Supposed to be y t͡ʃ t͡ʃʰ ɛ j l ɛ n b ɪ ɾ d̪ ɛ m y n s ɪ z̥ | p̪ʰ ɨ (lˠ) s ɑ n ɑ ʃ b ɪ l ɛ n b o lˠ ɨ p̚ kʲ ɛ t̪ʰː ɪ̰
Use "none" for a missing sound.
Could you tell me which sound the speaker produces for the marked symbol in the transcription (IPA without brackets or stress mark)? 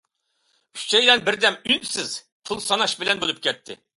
lˠ